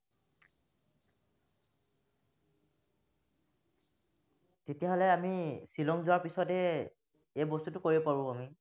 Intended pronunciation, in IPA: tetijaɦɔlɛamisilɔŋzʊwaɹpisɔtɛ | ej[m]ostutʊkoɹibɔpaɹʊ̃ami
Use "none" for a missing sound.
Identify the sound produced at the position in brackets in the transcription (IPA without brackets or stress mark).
b